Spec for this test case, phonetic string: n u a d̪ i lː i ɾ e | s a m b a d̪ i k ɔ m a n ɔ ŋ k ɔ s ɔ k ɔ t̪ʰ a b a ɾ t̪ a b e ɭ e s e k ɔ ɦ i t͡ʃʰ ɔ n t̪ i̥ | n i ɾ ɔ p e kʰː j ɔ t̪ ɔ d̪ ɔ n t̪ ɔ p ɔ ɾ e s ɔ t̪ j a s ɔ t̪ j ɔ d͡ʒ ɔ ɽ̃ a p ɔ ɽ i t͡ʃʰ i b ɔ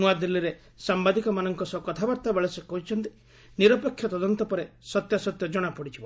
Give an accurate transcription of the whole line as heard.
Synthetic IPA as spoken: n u a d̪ i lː i ɾ e | s a m b a d̪ i k ɔ m a n ɔ ŋ k ɔ s ɔ k ɔ t̪ʰ a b a ɾ t̪ a b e ɭ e s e k ɔ ɦ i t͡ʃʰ ɔ n t̪ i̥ | n i ɾ ɔ p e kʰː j ɔ t̪ ɔ d̪ ɔ n t̪ ɔ p ɔ ɾ e s ɔ t̪ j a s ɔ t̪ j ɔ d͡ʒ ɔ ɽ̃ a p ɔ ɽ i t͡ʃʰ i b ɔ